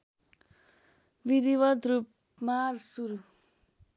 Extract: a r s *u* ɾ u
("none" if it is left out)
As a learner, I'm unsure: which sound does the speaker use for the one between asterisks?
u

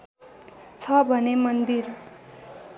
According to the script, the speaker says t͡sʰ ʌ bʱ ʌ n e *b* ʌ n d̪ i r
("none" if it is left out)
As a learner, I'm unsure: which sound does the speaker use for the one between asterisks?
m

